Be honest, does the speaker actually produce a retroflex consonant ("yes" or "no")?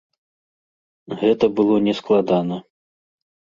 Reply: no